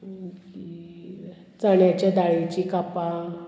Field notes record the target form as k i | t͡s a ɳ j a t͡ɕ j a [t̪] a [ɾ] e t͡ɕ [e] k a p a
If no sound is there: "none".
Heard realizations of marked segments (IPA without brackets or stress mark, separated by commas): d̪, ɭ, i